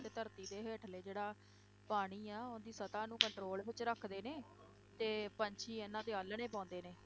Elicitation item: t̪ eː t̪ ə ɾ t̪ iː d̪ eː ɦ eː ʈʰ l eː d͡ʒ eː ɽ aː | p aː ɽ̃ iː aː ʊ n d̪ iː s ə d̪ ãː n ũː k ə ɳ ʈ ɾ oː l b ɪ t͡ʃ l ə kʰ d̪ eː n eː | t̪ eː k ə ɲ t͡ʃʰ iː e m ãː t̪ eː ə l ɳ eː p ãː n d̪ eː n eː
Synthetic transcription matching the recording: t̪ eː t̪ ə ɾ t̪ iː d̪ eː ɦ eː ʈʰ l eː d͡ʒ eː ɽ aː | p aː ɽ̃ iː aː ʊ n d̪ iː s ə t̪ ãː n ũː k ə ɳ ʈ ɾ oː l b ɪ t͡ʃ ɾ ə kʰ d̪ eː n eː | t̪ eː p ə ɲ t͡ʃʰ iː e n ãː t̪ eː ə l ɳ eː p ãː n d̪ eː n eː